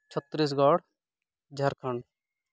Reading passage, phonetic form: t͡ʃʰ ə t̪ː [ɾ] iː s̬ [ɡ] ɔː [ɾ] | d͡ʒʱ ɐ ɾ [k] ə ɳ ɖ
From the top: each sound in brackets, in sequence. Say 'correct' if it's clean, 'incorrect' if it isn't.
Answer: correct, correct, incorrect, incorrect

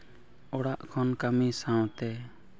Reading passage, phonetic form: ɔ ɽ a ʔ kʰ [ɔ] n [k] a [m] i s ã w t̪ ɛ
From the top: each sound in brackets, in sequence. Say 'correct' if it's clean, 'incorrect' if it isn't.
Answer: correct, correct, correct

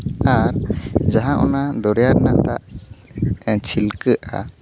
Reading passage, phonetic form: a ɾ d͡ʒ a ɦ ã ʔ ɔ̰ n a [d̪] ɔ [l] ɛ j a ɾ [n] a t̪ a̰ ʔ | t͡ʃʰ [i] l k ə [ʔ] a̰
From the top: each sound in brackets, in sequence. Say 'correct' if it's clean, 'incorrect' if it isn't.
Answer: correct, incorrect, correct, correct, correct

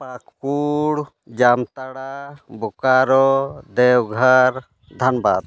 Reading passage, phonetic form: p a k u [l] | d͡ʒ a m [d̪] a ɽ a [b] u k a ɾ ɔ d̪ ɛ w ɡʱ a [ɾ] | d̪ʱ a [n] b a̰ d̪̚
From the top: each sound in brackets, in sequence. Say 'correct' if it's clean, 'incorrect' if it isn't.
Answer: incorrect, incorrect, correct, correct, correct

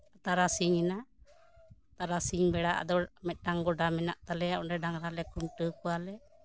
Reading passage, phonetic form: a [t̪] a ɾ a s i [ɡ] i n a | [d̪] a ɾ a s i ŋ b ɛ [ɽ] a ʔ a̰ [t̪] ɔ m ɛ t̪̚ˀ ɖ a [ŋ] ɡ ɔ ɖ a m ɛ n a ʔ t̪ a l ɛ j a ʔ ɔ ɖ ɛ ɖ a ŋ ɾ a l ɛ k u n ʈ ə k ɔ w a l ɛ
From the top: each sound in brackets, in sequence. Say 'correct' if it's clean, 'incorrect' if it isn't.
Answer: correct, incorrect, incorrect, correct, incorrect, correct

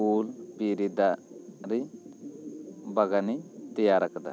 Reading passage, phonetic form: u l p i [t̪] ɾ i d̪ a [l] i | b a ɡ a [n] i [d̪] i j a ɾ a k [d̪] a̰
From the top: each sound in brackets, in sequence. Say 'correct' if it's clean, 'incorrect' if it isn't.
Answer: incorrect, incorrect, correct, incorrect, correct

